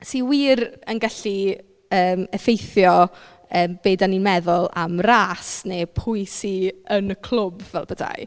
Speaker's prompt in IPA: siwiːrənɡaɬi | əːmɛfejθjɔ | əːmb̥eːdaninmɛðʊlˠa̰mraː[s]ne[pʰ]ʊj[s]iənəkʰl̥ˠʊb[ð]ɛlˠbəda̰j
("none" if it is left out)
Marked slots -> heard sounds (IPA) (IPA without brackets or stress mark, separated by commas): s, pʰ, s, v